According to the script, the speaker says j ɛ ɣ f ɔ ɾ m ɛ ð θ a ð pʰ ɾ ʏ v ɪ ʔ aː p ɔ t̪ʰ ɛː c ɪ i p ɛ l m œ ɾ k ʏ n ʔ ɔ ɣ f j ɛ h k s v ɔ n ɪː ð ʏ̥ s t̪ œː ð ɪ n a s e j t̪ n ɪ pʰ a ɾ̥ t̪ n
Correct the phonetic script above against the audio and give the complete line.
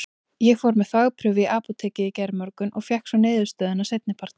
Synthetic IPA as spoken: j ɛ ɣ f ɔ ɾ m ɛ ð θ a ɣ pʰ ɾ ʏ v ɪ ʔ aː p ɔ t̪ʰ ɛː c ɪ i c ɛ ɾ m œ ɾ k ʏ n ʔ ɔ ɣ f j ɛ h k s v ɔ n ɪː ð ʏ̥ s t̪ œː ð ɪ n a s e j t̪ n ɪ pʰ a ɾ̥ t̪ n